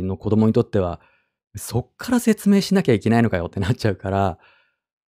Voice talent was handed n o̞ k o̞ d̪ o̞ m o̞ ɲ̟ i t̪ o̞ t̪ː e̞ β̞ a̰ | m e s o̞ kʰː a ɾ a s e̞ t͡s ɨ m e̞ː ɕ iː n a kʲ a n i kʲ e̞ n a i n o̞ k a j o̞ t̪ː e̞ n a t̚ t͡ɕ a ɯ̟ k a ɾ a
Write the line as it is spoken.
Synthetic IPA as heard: n o̞ k o̞ d̪ o̞ m o̞ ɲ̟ i t̪ o̞ t̪ː e̞ β̞ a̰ | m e s o̞ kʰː a ɾ a s e̞ t͡s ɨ m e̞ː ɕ i n a kʲ a i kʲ e̞ n a i n o̞ k a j o̞ t̪ː e̞ n a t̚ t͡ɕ a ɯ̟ k a ɾ a